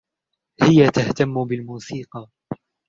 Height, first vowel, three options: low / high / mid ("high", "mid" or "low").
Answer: high